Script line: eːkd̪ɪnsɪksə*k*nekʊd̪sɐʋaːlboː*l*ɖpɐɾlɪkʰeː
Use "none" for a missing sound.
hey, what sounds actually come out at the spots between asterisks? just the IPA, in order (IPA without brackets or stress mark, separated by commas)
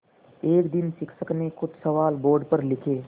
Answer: k, ɾ